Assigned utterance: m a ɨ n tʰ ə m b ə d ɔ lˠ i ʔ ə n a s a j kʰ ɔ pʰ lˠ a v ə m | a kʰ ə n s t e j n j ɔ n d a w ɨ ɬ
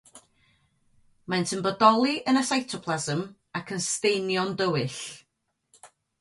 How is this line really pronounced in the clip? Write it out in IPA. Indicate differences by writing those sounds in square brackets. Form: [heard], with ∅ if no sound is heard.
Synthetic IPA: m a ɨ n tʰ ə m b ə d ɔ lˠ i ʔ ə n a s a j [tʰ] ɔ pʰ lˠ a [z] ə m | a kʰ ə n s t e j n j ɔ n d [ə] w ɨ ɬ